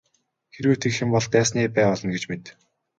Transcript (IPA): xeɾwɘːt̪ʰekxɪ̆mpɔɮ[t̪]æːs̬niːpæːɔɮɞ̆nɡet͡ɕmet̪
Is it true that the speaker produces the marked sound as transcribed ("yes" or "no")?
yes